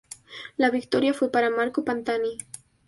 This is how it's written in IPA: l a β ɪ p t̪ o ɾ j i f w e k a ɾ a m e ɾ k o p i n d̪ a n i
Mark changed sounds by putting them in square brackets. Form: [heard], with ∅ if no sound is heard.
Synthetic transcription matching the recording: l a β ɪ [k] t̪ o ɾ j [a] f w e [p] a ɾ a m [a] ɾ k o p [a] n [t̪] a n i

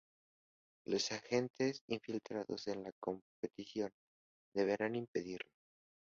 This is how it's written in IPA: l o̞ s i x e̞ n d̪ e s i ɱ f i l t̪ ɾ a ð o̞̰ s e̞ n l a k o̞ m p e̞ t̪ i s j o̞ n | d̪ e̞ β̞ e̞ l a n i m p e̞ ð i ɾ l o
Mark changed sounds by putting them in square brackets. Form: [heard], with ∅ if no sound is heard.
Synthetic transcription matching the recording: l o̞ s [a] x e̞ n [t̪] e s i ɱ f i l t̪ ɾ a ð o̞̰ s e̞ n l a k o̞ m p e̞ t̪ i s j o̞ n | d̪ e̞ β̞ e̞ [ɾ] a n i m p e̞ ð i ɾ l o

